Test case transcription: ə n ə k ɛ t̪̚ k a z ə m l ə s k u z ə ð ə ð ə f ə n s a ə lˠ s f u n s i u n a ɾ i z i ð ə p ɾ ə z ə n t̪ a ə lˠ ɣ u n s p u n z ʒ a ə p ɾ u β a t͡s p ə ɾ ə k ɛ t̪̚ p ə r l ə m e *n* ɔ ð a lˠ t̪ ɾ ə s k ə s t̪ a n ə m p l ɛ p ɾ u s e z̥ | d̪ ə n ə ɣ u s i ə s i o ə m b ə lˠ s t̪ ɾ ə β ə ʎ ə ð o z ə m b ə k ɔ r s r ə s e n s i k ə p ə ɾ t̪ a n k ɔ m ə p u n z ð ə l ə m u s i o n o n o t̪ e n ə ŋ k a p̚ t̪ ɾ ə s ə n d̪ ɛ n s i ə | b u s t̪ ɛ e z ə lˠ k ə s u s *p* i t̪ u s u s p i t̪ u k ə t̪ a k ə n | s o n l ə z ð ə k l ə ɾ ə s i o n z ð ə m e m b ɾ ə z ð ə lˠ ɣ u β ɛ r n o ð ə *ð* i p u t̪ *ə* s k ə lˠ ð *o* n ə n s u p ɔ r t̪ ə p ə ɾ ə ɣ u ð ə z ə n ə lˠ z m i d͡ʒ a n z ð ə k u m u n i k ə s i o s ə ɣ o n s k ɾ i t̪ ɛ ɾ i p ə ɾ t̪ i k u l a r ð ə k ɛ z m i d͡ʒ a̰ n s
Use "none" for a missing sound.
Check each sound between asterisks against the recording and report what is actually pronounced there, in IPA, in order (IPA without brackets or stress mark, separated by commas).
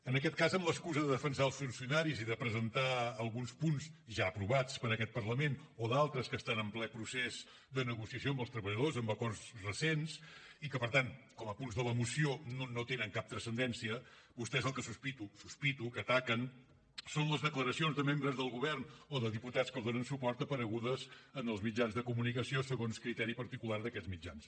n, p, ð, a, o